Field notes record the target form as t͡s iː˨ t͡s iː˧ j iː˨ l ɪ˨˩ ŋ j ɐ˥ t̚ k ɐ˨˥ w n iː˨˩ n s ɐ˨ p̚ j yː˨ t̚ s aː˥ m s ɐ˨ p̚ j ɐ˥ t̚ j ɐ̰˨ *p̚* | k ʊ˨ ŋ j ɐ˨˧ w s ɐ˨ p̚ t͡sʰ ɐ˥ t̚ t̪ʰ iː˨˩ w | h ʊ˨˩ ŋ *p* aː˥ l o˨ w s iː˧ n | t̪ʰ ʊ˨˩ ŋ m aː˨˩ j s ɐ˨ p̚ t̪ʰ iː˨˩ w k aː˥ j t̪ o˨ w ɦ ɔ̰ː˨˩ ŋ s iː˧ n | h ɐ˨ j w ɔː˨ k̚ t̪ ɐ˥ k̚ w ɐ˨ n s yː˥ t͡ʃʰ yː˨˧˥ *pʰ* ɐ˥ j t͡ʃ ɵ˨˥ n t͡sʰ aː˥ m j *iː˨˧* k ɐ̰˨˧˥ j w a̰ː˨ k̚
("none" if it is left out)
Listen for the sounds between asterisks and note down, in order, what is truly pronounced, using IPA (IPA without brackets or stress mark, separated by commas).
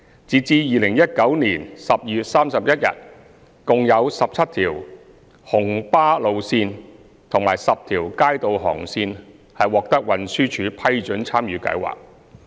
t̚, p, pʰ, yː˨˧